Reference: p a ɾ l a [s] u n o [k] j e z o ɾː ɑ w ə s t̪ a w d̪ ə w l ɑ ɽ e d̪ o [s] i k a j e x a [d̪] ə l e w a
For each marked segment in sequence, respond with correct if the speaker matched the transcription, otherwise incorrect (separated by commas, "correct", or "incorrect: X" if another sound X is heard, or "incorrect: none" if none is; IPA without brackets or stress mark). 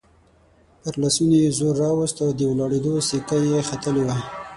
correct, incorrect: none, correct, incorrect: t̪